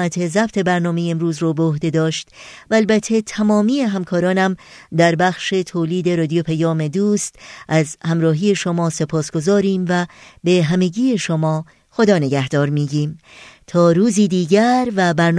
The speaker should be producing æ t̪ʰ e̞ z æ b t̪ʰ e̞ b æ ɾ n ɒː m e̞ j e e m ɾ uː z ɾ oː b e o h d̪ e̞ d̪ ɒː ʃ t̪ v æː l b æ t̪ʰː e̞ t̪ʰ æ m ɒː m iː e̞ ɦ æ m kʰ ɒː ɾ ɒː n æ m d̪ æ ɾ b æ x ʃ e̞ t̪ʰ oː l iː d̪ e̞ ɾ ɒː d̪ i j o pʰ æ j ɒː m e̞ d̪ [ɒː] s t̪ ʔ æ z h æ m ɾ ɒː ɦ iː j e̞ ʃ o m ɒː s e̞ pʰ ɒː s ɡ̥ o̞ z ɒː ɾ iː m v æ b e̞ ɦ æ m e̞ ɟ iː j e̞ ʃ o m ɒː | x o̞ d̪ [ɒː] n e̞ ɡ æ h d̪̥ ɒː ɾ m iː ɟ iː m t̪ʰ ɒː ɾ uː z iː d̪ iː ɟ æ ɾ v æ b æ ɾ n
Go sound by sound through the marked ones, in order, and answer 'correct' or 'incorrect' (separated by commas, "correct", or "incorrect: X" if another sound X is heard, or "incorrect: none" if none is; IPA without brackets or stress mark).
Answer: incorrect: uː, correct